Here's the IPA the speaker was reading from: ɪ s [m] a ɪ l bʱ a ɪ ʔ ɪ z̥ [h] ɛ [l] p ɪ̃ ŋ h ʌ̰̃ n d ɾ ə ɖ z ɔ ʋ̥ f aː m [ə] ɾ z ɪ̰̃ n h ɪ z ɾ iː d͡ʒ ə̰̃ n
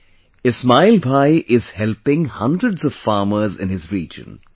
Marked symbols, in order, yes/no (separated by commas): yes, yes, yes, yes